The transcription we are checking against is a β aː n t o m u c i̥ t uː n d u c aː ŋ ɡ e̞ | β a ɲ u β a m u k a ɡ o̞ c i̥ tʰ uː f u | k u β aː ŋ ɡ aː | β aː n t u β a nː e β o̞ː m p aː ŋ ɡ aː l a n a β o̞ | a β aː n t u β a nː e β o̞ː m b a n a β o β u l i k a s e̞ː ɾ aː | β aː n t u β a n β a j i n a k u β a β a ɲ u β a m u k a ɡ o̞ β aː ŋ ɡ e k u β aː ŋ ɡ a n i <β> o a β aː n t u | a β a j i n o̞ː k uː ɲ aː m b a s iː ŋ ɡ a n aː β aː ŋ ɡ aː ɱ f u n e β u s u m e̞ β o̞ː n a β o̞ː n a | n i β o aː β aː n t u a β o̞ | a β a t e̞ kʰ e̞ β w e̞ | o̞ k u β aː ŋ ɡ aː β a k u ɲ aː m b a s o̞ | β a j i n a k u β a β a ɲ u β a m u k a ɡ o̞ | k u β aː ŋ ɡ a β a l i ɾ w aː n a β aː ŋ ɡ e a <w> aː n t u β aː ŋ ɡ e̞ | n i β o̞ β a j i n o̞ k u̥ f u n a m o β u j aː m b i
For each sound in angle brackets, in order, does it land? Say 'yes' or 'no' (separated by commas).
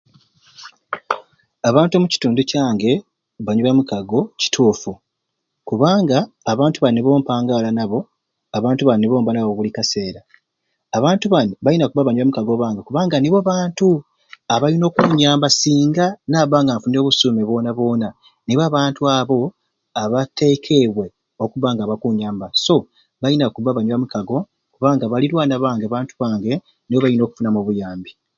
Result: yes, no